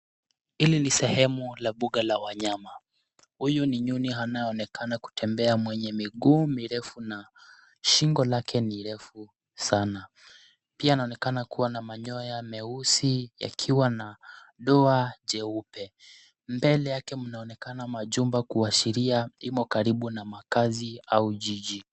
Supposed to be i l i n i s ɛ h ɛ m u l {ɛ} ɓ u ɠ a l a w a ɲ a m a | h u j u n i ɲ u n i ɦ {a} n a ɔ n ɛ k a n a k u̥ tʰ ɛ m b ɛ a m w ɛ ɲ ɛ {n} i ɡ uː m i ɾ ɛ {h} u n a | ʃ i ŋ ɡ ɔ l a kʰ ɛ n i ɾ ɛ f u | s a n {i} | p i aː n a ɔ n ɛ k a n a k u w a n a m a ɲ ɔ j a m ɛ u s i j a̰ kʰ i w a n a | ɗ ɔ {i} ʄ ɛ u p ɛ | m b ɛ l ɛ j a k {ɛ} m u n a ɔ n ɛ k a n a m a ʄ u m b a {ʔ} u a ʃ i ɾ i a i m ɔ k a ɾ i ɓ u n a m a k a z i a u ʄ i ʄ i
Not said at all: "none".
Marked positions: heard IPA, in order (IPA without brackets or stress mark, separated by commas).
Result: a, a, m, f, a, a, ɛ, k